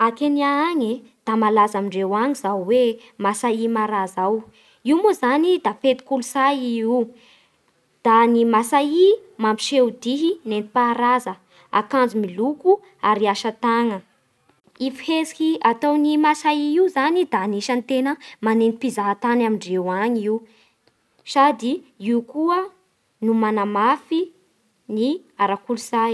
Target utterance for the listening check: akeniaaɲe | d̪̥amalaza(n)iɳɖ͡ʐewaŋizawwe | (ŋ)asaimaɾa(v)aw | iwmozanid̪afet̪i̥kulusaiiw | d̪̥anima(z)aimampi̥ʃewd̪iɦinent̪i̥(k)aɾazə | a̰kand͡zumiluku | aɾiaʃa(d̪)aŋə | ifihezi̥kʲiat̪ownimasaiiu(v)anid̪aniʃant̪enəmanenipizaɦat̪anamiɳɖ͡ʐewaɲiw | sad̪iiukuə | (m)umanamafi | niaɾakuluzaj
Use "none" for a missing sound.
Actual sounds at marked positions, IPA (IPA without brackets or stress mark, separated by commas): m, m, z, s, p, t̪, z, n